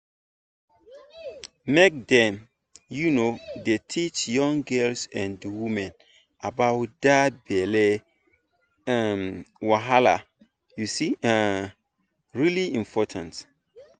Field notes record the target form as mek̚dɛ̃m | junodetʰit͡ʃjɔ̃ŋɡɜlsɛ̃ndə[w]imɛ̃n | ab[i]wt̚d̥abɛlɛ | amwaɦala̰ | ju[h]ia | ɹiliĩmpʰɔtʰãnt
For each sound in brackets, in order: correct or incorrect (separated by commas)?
correct, incorrect, incorrect